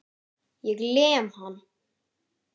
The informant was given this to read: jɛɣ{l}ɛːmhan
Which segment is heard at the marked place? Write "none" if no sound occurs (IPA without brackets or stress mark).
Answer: l